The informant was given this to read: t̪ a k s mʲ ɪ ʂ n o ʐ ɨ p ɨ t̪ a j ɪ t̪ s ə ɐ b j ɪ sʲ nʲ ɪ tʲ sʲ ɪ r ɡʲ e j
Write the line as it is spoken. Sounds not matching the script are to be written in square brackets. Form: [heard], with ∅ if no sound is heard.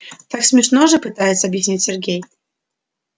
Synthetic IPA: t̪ a k s mʲ ɪ ʂ n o ʐ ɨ p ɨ t̪ a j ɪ t̪ s ə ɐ b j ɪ sʲ nʲ [i] tʲ sʲ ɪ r ɡʲ e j